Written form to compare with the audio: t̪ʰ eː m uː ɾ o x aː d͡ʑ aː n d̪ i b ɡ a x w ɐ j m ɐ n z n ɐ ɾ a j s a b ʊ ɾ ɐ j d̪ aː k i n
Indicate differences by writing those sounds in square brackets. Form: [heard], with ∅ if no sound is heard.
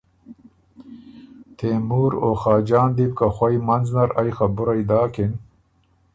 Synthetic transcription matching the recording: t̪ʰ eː m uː ɾ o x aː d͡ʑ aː n d̪ i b [k] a x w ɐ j m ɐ n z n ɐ ɾ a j [x] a b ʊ ɾ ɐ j d̪ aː k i n